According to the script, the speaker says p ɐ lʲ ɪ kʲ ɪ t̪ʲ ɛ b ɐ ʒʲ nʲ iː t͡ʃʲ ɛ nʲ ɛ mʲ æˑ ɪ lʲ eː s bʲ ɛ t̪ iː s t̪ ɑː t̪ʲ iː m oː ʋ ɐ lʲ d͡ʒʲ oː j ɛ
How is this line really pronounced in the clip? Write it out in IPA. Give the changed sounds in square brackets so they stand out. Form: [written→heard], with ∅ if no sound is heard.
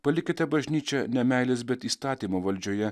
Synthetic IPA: p ɐ lʲ ɪ kʲ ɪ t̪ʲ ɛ b ɐ ʒʲ nʲ iː t͡ʃʲ ɛ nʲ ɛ mʲ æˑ ɪ lʲ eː s bʲ ɛ t̪ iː s t̪ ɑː t̪ʲ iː m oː ʋ ɐ lʲ d͡ʒʲ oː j ɛ